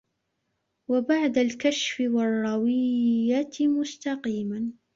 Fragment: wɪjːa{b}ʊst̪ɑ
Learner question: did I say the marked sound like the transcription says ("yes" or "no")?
no